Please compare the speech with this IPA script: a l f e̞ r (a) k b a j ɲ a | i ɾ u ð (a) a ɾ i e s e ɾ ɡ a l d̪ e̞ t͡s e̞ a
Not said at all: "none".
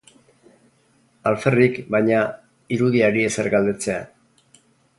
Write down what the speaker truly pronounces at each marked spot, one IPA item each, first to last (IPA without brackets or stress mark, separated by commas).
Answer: i, i